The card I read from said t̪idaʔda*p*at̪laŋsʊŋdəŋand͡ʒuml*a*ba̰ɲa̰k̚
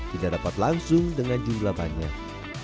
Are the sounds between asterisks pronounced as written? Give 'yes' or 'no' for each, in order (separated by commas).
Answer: yes, yes